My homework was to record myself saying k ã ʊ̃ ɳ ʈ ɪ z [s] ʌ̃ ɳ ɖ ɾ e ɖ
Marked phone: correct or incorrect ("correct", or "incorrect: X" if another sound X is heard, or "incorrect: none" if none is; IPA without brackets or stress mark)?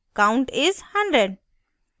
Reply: incorrect: h